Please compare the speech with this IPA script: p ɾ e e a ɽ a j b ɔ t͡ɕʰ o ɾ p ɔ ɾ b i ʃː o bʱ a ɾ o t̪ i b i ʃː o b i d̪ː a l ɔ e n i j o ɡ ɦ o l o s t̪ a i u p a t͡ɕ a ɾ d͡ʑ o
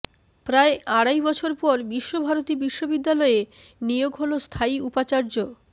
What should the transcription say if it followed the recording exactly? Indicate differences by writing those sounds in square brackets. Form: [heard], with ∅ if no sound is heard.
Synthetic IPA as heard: p ɾ [a] e a ɽ a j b ɔ t͡ɕʰ o ɾ p ɔ ɾ b i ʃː o bʱ a ɾ o t̪ i b i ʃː o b i d̪ː a l ɔ e n i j o ɡ ɦ o l o s [t̪ʰ] a i u p a t͡ɕ a ɾ d͡ʑ o